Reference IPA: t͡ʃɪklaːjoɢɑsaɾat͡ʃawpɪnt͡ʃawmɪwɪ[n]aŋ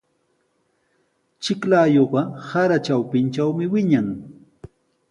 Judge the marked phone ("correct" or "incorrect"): incorrect